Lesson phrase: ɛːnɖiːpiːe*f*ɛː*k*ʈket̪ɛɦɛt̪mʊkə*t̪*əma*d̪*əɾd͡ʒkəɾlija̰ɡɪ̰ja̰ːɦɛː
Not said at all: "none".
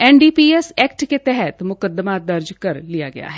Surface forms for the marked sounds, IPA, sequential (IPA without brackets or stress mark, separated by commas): s, k, d̪, d̪